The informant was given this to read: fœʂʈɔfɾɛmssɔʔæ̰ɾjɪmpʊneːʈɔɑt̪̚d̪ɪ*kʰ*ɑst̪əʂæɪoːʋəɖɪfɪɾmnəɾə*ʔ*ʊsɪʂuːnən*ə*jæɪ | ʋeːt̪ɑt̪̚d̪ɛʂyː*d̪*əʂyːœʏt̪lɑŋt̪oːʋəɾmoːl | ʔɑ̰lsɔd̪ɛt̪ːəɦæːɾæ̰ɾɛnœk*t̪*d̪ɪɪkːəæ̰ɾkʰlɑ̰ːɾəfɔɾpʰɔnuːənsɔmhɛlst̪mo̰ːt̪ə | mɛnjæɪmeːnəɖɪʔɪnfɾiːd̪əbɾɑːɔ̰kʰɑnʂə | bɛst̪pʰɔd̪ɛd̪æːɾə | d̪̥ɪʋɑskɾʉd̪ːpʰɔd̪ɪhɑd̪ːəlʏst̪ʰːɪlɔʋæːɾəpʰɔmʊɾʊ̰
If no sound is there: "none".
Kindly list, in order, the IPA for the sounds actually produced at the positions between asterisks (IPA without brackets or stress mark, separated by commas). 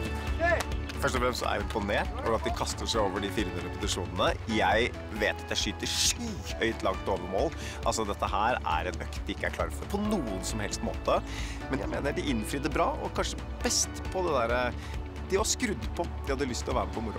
kʰ, p, ə, t̪, t̪